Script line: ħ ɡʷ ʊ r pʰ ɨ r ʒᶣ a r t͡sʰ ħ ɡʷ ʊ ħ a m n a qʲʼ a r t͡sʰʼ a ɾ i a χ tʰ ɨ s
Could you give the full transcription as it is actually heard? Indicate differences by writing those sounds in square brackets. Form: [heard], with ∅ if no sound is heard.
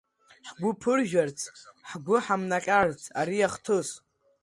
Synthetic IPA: ħ ɡʷ ʊ [∅] pʰ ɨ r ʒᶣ a r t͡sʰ ħ ɡʷ ʊ ħ a m n a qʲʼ a r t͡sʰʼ a ɾ i a χ tʰ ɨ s